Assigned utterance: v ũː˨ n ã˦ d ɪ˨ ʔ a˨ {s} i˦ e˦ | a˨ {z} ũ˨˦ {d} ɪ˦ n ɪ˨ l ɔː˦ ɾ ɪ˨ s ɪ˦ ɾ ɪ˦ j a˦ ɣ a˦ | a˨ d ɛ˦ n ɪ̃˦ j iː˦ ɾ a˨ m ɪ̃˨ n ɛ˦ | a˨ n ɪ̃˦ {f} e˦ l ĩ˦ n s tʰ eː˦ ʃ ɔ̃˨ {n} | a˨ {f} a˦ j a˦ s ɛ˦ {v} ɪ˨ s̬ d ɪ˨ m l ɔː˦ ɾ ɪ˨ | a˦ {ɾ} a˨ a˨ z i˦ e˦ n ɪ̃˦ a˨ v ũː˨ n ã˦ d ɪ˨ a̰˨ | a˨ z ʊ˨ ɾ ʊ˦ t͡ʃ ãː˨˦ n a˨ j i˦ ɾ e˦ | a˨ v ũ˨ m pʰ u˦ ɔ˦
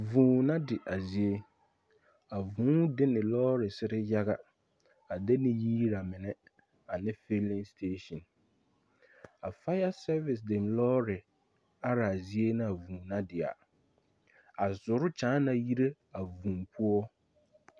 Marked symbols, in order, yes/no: no, no, yes, yes, yes, yes, yes, yes

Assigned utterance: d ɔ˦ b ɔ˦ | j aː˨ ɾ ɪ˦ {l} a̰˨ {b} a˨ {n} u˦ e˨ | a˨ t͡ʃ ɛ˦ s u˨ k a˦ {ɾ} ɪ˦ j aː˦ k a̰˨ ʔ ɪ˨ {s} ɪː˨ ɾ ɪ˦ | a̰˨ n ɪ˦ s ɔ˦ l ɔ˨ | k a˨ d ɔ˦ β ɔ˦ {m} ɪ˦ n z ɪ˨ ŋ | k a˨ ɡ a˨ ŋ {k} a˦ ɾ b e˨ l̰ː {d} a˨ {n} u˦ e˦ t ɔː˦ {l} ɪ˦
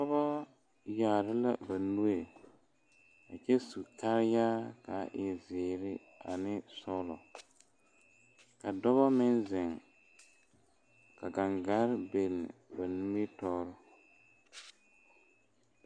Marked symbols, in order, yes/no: yes, yes, yes, yes, no, yes, no, no, yes, no

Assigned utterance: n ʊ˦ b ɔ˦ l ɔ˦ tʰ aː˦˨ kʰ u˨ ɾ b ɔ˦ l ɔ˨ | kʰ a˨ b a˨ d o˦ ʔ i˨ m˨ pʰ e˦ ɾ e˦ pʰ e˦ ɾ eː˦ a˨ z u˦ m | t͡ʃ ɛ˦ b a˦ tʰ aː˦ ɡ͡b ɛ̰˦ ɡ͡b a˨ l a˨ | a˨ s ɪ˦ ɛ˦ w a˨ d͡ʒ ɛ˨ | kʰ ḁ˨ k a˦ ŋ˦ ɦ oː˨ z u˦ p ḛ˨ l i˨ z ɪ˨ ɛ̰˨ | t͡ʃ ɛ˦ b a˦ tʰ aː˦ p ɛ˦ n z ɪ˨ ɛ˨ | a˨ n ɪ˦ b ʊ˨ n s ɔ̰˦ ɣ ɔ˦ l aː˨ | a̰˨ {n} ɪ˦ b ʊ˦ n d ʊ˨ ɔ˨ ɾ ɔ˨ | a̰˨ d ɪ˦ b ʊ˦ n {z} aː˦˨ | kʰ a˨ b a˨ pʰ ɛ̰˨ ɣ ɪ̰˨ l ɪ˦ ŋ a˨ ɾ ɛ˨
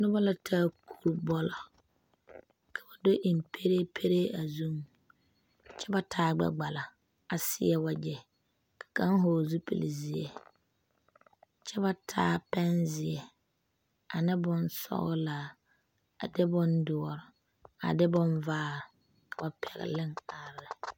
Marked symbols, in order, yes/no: no, no

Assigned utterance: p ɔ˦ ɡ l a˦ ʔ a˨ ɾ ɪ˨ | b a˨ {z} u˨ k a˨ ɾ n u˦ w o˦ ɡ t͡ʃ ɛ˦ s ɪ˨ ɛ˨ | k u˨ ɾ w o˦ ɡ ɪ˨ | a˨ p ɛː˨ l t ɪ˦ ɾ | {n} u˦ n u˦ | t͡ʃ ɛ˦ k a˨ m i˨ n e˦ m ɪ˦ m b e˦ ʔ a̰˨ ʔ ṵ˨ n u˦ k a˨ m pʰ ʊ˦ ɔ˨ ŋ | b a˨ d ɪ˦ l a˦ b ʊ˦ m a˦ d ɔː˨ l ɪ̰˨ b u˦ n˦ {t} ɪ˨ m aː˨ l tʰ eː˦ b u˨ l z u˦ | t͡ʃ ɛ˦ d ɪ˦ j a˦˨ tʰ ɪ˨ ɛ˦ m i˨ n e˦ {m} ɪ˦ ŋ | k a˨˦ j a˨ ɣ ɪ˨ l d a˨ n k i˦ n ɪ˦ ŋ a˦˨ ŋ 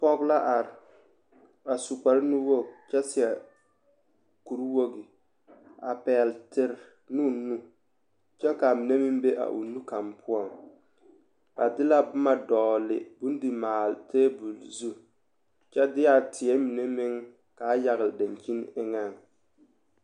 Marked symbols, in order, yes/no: no, yes, no, yes

